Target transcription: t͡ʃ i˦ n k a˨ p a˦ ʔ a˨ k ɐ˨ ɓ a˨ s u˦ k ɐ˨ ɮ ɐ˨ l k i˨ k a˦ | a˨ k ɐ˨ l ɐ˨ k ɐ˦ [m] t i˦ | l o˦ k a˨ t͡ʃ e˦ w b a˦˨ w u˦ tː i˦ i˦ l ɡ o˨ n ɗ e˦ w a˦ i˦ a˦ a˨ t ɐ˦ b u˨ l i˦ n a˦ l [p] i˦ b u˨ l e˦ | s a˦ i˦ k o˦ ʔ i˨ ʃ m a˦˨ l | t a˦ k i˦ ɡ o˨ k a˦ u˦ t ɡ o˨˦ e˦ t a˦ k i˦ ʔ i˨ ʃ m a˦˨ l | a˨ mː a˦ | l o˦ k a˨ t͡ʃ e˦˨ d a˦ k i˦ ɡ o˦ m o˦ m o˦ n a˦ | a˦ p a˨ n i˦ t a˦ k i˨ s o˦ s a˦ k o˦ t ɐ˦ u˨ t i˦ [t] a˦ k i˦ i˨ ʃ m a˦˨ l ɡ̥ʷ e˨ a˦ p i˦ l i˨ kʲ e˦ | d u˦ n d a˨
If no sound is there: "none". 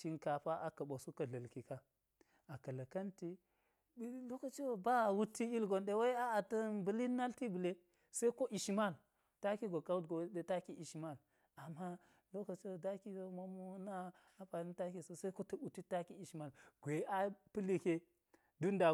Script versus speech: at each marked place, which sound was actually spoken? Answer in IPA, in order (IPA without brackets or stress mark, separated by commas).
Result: n, t, t